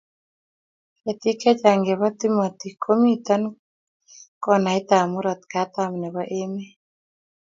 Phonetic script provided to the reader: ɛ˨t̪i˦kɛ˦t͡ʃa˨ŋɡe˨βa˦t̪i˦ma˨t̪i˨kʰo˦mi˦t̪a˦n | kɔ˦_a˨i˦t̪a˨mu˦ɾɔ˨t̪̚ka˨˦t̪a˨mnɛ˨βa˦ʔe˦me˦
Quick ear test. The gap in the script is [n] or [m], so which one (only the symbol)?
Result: n